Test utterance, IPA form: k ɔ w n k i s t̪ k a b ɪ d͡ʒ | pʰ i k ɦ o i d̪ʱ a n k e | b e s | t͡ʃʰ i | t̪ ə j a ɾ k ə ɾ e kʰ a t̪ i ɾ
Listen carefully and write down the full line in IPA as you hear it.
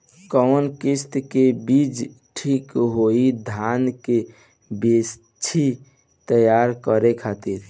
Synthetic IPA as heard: k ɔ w n k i s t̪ k e b i d͡ʒ | ʈʰ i k ɦ o i d̪ʱ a n k e | b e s | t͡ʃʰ i | t̪ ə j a ɾ k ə ɾ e kʰ a t̪ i ɾ